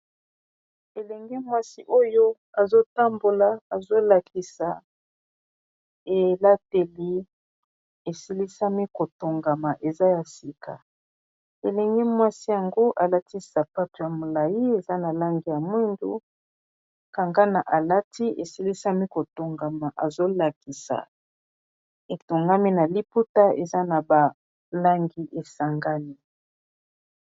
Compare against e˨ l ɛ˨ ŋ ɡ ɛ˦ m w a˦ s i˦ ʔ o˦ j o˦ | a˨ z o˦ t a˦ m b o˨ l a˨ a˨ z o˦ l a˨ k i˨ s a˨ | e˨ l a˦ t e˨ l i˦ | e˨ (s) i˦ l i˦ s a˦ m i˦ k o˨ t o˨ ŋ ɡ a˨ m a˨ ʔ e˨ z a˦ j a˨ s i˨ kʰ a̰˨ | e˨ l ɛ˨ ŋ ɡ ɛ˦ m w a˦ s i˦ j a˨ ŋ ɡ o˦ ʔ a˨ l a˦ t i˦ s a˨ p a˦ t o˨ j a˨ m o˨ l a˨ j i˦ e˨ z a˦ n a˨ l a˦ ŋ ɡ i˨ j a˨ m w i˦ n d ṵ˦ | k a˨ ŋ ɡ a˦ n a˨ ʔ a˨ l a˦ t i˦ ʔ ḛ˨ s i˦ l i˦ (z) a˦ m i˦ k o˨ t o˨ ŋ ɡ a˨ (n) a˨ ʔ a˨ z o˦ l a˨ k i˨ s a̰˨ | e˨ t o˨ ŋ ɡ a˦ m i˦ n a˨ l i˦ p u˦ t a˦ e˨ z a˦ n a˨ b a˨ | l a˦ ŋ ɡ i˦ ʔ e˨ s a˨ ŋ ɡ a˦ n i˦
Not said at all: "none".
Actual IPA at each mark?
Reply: s, s, m

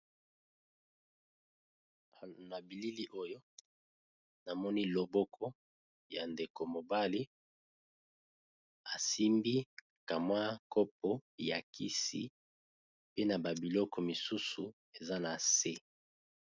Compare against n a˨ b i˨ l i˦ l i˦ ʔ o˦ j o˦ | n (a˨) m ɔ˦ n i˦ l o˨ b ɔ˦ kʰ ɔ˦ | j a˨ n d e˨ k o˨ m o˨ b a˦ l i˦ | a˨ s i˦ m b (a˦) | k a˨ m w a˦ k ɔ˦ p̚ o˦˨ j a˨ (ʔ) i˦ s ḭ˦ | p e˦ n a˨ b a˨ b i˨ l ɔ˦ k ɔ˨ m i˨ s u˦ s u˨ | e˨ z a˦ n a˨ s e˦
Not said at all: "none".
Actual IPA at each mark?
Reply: a˨, i˦, k

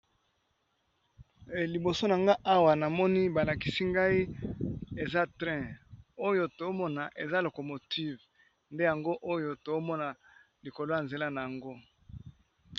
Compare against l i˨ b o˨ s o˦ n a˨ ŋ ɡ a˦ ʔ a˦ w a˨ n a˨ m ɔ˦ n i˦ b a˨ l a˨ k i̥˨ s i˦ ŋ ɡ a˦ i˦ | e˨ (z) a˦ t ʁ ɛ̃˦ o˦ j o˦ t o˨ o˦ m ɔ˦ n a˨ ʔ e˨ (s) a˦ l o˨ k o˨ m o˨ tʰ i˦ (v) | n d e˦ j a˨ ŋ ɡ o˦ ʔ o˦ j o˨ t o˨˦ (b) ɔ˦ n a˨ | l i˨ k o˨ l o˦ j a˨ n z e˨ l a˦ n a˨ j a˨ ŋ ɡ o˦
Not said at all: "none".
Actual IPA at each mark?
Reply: z, z, v, m

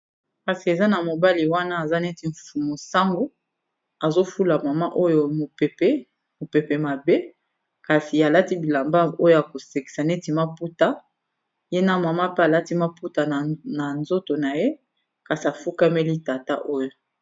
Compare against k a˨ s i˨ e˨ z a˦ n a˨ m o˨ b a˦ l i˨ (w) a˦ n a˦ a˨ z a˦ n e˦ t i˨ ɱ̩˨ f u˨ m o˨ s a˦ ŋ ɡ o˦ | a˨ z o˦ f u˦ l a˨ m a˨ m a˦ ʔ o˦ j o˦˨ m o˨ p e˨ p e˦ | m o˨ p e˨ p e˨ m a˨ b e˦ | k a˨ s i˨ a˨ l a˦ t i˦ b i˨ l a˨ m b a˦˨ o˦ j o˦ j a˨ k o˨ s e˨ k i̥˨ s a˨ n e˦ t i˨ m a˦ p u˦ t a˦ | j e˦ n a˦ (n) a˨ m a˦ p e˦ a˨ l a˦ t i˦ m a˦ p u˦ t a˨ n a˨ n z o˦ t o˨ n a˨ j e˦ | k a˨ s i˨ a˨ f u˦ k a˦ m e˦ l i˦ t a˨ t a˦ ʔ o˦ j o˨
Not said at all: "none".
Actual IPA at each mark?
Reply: w, m

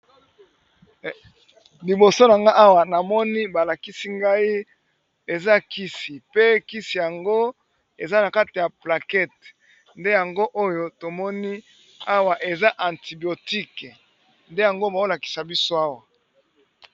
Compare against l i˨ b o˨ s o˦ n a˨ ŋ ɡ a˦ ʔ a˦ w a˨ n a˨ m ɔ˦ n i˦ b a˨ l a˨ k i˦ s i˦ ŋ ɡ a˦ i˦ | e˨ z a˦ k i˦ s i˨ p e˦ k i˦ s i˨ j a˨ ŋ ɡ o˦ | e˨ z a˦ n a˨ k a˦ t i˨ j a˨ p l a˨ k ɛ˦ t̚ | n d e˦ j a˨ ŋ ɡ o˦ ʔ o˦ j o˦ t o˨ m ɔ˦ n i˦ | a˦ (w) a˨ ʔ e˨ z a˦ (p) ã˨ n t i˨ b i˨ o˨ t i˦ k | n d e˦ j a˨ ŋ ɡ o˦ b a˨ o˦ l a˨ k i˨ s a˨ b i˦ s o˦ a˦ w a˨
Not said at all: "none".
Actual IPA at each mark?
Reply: w, ʔ

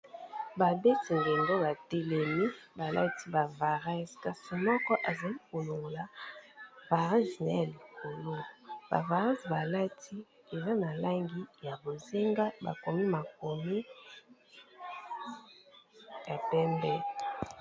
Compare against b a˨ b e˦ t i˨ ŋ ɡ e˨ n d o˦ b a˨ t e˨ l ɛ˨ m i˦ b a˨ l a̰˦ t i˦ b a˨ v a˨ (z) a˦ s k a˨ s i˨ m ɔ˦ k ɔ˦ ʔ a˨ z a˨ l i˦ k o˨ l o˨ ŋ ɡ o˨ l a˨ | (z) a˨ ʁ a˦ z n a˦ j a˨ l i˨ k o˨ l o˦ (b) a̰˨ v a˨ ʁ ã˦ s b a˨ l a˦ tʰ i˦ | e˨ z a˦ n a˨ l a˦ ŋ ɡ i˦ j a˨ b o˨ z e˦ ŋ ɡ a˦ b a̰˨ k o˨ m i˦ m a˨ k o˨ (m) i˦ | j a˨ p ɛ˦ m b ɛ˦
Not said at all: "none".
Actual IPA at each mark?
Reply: ʁ, v, b, m

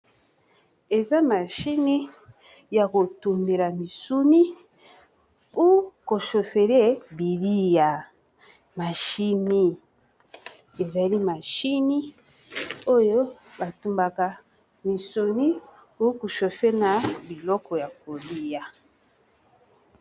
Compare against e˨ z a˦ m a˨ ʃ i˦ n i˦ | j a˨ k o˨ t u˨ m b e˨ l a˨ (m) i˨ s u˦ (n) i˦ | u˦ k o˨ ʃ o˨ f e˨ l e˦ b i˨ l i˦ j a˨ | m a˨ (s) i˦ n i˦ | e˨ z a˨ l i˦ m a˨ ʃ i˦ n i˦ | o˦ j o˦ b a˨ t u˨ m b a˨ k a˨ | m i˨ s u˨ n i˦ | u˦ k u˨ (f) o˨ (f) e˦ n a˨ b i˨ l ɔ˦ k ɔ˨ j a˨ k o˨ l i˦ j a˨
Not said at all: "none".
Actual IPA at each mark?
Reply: m, n, ʃ, ʃ, f

